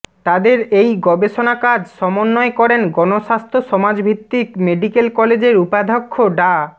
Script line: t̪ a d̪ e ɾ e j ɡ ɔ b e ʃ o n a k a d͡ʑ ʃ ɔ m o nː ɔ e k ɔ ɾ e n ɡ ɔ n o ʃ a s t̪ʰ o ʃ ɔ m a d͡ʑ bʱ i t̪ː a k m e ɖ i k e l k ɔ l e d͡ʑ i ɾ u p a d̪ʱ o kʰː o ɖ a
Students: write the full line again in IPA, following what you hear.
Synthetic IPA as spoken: t̪ a d̪ e ɾ e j ɡ ɔ b e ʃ o n a k a d͡ʑ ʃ ɔ m o nː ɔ e k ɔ ɾ e n ɡ ɔ n o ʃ a s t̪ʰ o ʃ ɔ m a d͡ʑ bʱ i t̪ː i k m e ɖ i k e l k ɔ l e d͡ʑ e ɾ u p a d̪ʱ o kʰː o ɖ a